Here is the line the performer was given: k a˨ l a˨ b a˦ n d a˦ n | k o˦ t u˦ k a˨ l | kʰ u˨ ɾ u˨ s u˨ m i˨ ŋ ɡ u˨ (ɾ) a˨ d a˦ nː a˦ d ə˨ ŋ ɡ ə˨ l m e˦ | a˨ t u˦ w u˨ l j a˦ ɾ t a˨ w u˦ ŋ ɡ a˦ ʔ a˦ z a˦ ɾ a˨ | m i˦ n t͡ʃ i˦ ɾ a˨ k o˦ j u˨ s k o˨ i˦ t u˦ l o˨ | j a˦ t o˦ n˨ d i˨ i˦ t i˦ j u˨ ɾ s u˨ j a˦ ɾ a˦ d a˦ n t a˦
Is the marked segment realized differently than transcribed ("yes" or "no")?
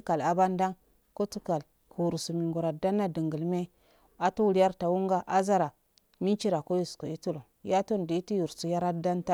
no